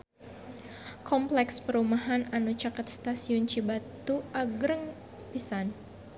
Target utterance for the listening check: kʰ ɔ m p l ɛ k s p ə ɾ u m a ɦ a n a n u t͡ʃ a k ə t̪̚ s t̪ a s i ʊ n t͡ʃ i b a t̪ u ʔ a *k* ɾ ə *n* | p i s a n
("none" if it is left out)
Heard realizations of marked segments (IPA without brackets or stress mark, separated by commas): ɡ, ŋ